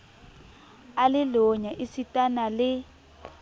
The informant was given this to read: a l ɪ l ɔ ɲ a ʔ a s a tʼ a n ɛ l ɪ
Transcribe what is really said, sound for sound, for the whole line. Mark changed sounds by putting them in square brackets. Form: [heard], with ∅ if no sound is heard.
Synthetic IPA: a l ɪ l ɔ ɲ a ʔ [i] s [i] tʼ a n [a] l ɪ